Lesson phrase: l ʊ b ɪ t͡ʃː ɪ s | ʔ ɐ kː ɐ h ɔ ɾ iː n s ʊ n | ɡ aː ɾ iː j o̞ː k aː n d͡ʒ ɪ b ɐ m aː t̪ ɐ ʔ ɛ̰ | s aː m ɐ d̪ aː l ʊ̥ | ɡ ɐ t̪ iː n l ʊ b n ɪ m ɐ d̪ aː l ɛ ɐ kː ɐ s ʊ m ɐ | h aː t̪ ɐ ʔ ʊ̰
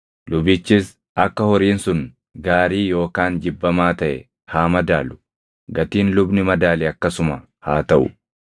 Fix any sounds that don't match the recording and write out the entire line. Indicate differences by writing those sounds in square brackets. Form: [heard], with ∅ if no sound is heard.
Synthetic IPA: l ʊ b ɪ t͡ʃː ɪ s | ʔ ɐ kː ɐ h ɔ ɾ iː n s ʊ n | ɡ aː ɾ iː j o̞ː k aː n d͡ʒ ɪ [bː] ɐ m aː t̪ ɐ ʔ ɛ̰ | [h] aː m ɐ d̪ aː l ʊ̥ | ɡ ɐ t̪ iː n l ʊ b n ɪ m ɐ d̪ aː l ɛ ɐ kː ɐ s ʊ m ɐ | h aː t̪ ɐ ʔ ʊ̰

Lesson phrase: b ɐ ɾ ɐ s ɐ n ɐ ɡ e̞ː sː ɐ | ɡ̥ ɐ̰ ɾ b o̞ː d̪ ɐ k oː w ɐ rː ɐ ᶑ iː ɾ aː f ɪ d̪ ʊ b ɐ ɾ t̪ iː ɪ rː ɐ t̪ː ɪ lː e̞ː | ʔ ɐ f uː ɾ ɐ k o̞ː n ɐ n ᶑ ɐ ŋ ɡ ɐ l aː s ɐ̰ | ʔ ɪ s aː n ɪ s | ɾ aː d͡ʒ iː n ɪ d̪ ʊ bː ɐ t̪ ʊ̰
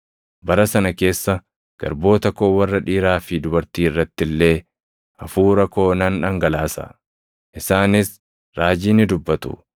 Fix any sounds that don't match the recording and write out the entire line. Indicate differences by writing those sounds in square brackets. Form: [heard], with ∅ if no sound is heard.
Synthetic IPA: b ɐ ɾ ɐ s ɐ n ɐ [k] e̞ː sː ɐ | ɡ̥ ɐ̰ ɾ b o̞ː [t̪] ɐ k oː w ɐ rː ɐ ᶑ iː ɾ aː f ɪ d̪ ʊ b ɐ ɾ t̪ iː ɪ rː ɐ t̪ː ɪ lː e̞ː | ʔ ɐ f uː ɾ ɐ k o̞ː n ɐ n ᶑ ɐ ŋ ɡ ɐ l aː s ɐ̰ | ʔ ɪ s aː n ɪ s | ɾ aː d͡ʒ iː n ɪ d̪ ʊ bː ɐ t̪ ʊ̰

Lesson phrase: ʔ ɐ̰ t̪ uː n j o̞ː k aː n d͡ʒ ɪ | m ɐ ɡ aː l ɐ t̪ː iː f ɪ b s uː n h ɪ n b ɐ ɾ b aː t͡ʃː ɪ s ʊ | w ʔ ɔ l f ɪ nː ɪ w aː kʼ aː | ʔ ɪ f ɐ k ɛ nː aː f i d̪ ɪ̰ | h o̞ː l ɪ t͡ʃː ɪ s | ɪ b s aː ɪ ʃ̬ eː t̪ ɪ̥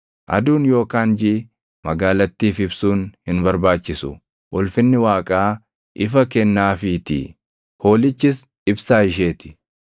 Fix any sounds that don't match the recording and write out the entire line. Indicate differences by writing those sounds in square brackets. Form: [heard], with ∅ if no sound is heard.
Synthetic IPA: ʔ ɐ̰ [d̪] uː n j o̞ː k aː n d͡ʒ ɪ | m ɐ ɡ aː l ɐ t̪ː iː f ɪ b s uː n h ɪ n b ɐ ɾ b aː t͡ʃː ɪ s ʊ | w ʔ ɔ l f ɪ nː ɪ w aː kʼ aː | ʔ ɪ f ɐ k ɛ nː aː f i [t̪] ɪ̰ | h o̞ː l ɪ t͡ʃː ɪ s | ɪ b s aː ɪ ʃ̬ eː t̪ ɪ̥

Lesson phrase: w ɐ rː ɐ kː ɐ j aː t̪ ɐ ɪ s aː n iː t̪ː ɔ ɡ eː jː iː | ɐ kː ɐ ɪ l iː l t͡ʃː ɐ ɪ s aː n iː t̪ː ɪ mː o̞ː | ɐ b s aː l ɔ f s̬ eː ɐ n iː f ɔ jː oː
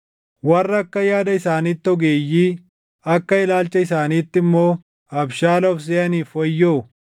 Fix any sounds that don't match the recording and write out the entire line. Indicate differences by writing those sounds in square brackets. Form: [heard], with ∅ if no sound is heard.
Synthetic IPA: w ɐ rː ɐ kː ɐ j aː [d̪] ɐ ɪ s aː n iː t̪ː ɔ ɡ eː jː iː | ɐ kː ɐ ɪ l [aː] l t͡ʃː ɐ ɪ s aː n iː t̪ː ɪ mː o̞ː | ɐ b [ʃ] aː l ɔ f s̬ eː ɐ n iː f ɔ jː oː

